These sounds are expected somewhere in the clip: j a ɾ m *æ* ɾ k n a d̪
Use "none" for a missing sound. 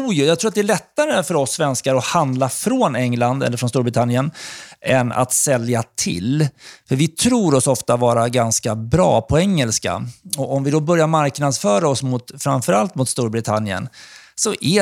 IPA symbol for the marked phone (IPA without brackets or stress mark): a